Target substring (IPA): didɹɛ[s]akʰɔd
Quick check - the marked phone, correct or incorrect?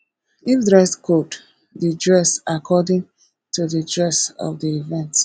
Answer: correct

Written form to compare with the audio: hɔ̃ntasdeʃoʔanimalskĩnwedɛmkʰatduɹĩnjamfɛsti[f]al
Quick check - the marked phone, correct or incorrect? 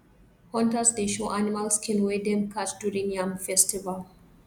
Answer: incorrect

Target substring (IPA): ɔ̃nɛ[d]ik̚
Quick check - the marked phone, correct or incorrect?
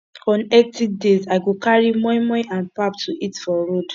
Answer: incorrect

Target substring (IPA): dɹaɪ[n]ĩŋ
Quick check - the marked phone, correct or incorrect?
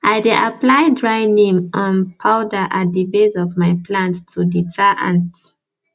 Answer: correct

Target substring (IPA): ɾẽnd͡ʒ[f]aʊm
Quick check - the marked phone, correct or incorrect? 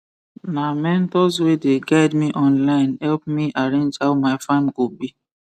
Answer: incorrect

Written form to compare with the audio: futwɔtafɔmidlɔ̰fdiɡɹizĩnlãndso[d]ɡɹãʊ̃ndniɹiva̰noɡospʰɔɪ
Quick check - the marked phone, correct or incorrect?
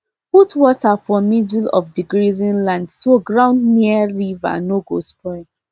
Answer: incorrect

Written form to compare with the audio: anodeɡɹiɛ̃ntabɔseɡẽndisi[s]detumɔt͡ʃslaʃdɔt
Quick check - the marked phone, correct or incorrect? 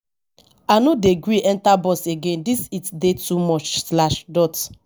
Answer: incorrect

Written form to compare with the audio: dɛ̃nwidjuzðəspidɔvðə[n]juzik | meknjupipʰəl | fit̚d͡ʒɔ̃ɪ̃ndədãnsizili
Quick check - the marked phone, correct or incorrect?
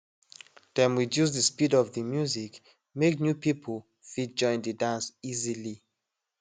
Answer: incorrect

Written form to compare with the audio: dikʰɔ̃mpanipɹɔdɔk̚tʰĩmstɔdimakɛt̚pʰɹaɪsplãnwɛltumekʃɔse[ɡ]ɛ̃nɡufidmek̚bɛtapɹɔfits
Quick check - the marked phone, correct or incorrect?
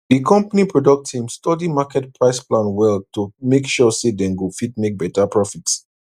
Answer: incorrect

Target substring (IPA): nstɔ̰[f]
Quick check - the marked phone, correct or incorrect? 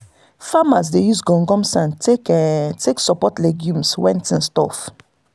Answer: correct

